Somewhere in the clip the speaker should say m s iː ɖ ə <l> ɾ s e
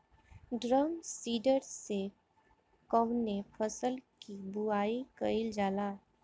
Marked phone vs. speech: incorrect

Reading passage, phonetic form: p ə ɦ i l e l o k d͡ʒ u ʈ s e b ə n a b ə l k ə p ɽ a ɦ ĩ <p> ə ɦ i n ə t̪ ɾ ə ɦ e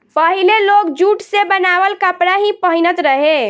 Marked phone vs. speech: correct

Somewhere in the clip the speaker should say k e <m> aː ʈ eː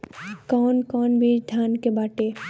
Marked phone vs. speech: incorrect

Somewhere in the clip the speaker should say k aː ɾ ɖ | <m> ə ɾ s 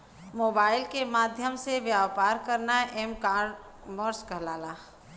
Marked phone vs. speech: correct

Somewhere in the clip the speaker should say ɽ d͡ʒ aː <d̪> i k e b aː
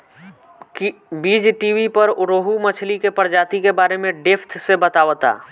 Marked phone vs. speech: incorrect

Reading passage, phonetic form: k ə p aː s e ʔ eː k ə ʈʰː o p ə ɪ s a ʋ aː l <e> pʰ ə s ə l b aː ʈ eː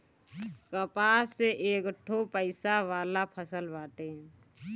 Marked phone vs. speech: incorrect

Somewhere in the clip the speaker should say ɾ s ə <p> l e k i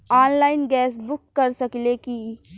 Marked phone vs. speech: incorrect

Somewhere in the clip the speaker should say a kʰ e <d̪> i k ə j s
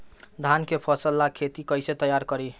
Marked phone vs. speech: incorrect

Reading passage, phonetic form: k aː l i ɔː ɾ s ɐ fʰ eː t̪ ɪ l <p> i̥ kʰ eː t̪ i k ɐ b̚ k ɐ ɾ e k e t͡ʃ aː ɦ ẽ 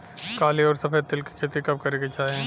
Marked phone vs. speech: incorrect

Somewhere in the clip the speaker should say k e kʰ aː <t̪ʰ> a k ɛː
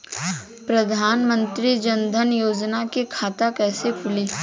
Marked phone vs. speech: incorrect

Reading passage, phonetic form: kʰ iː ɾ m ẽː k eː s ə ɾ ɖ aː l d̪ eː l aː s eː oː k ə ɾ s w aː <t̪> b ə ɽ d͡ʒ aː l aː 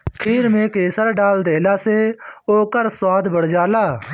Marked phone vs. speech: incorrect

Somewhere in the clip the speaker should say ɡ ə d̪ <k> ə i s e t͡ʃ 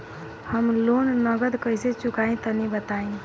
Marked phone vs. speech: correct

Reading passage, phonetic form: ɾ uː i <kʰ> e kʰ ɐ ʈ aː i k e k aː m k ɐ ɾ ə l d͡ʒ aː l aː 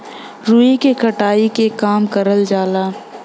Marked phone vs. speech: incorrect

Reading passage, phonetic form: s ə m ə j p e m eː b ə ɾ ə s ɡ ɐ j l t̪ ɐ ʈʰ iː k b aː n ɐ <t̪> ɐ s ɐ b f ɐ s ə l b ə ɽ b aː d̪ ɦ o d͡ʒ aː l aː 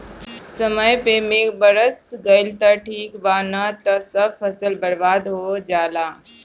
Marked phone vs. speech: correct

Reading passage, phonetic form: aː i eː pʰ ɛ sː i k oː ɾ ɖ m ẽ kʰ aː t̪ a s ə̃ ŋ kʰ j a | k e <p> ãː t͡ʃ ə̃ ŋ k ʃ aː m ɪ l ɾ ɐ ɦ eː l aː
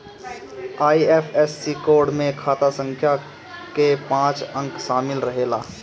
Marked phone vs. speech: correct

